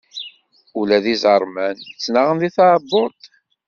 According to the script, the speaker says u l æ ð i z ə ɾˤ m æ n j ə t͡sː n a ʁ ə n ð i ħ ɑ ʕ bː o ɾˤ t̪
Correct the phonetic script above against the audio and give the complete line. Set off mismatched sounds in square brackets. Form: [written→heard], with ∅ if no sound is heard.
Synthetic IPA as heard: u l æ ð i z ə ɾˤ m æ n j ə t͡sː n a ʁ ə n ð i [ħ→θ] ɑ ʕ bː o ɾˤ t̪